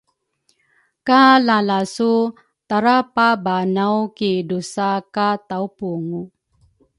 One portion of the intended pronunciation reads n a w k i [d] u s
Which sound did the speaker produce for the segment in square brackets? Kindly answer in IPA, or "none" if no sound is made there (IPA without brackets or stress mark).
d